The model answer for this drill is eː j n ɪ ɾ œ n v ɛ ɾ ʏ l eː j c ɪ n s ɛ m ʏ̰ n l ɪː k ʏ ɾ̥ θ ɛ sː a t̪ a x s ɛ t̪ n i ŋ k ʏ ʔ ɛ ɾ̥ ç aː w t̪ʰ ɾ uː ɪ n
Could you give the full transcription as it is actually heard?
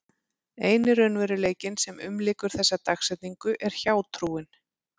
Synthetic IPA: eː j n ɪ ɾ œ n v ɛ ɾ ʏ l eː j c ɪ n s ɛ m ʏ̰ m l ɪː k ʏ ɾ̥ θ ɛ sː a t̪ a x s ɛ t̪ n i ŋ k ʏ ʔ ɛ ɾ̥ ç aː w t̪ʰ ɾ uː ɪ n